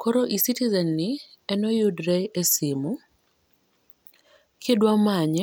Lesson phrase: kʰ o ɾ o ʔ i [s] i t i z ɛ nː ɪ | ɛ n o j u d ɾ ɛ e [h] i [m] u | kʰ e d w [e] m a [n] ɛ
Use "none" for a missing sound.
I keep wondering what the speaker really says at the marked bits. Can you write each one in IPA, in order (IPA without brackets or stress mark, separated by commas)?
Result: s, s, m, a, ɲ